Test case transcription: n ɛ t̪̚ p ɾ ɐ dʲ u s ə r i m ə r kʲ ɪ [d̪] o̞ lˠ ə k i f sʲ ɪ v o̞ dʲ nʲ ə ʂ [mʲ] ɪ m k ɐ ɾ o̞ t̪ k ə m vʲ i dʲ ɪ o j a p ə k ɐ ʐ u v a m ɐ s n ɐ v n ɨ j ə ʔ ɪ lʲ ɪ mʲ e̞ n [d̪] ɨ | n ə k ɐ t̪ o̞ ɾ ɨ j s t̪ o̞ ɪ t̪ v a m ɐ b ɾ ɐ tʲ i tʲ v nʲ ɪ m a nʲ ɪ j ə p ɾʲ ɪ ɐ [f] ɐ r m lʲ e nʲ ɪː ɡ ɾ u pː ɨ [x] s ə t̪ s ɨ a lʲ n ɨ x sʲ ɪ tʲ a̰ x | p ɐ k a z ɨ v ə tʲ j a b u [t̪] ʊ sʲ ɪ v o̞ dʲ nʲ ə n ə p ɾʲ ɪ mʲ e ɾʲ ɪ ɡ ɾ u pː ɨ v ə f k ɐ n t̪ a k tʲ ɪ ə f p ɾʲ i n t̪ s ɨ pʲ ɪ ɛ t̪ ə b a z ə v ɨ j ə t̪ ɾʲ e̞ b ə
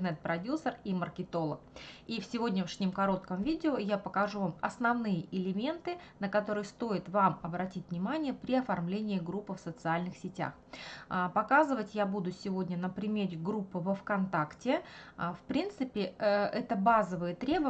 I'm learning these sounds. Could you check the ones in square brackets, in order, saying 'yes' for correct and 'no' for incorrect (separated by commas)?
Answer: no, no, no, yes, no, no